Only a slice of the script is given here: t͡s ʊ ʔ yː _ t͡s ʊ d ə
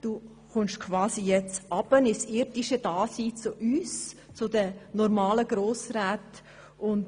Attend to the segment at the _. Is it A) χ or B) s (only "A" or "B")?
B